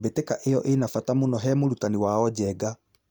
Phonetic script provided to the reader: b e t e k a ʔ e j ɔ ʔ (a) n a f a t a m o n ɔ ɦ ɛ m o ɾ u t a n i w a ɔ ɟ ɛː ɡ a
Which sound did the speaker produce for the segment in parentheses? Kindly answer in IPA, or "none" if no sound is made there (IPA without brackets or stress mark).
e